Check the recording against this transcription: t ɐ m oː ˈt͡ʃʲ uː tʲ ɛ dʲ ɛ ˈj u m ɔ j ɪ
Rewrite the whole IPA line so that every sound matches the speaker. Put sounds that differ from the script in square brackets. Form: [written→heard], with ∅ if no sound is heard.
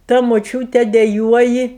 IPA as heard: t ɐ m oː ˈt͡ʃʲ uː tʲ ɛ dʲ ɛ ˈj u [m→∅] ɔ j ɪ